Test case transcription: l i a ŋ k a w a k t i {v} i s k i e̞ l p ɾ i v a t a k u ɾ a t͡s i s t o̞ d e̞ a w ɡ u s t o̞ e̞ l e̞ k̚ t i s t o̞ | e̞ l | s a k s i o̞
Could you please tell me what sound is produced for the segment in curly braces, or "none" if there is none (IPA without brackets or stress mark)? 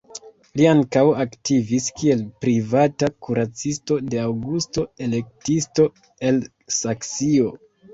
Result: v